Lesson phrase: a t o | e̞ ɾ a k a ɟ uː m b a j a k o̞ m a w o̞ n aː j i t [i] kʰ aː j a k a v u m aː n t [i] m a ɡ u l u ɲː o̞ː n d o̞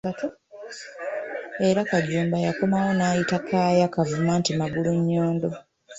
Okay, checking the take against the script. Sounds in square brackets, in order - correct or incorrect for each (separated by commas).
incorrect, correct